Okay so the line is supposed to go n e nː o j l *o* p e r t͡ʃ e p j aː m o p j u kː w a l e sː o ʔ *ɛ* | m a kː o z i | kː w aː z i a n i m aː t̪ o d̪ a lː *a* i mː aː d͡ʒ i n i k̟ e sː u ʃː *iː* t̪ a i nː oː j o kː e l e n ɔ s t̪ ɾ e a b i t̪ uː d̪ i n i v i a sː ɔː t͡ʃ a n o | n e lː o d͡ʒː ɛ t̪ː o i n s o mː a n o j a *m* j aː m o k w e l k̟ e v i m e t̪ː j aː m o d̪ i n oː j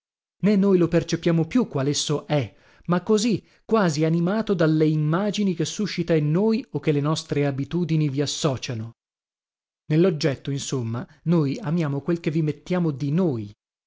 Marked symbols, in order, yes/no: yes, yes, no, no, yes

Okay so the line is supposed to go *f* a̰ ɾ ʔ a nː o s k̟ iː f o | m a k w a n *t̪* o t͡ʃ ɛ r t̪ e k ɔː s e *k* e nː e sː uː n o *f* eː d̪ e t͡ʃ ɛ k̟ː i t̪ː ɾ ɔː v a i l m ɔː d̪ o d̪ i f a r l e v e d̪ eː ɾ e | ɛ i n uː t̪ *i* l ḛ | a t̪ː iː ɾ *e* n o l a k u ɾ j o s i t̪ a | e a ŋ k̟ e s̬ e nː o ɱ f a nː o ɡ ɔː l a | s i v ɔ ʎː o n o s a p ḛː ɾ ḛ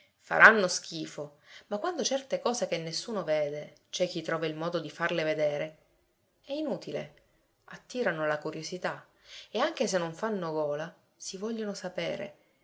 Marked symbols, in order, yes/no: yes, no, yes, no, yes, no

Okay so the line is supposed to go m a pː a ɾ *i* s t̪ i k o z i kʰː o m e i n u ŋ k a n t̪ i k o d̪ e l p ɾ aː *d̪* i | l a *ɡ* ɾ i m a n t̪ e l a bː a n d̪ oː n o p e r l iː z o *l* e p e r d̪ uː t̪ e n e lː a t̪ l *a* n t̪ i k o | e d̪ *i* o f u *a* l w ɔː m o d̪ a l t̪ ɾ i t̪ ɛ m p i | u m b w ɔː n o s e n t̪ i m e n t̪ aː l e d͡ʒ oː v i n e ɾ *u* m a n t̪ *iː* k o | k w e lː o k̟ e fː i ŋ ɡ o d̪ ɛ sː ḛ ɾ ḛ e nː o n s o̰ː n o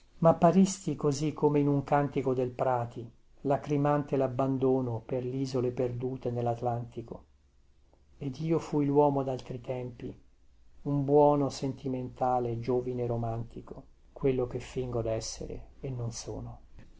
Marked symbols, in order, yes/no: yes, no, no, yes, yes, no, no, no, no

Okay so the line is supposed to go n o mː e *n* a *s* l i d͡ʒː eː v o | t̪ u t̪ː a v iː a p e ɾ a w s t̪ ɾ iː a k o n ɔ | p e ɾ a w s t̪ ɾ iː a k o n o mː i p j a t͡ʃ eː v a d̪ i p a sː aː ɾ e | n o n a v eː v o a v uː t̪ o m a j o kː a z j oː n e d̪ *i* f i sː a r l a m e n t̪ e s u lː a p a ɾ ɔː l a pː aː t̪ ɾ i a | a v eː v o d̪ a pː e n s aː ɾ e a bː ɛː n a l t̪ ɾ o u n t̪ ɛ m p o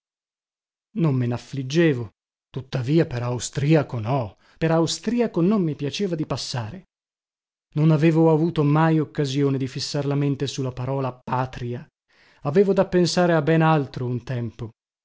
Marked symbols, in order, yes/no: yes, no, yes

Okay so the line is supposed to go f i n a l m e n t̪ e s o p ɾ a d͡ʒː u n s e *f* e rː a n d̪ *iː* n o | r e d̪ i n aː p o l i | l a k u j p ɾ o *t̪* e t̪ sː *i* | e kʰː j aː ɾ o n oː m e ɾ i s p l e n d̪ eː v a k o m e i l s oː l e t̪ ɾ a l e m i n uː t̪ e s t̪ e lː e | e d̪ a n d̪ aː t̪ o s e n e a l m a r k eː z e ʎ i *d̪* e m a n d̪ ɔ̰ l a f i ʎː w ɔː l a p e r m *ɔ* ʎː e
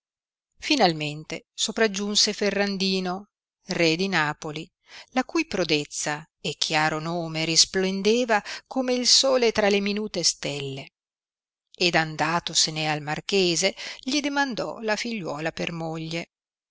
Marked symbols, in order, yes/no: yes, yes, no, no, yes, no

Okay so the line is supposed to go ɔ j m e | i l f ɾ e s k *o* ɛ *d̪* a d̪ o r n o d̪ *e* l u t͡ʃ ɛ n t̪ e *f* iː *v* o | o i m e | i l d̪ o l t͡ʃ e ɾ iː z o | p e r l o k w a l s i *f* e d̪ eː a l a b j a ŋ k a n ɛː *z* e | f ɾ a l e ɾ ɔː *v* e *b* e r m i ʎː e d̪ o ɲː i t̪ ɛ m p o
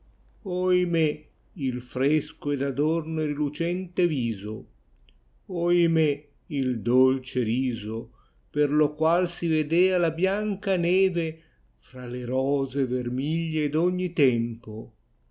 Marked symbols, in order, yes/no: yes, yes, no, no, no, no, no, no, no

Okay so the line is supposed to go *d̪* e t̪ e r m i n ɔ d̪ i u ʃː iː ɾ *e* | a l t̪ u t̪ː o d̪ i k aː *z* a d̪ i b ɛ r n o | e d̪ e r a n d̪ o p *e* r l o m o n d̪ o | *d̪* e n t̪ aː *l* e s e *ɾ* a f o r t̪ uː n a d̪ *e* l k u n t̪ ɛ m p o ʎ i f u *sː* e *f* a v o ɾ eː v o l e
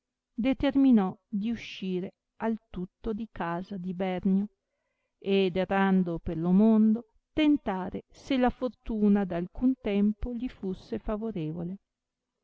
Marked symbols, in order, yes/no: yes, yes, yes, yes, no, no, no, no, yes, yes

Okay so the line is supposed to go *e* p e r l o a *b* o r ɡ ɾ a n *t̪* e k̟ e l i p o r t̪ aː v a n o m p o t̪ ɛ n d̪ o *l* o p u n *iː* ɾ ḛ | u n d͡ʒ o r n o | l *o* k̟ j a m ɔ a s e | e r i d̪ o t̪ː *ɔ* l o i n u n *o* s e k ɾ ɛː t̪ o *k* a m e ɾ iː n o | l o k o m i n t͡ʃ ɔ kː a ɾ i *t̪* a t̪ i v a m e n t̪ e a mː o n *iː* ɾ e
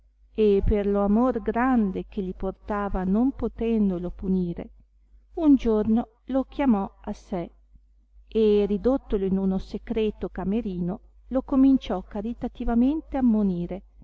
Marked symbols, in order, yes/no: yes, no, no, yes, yes, yes, no, yes, yes, yes, yes

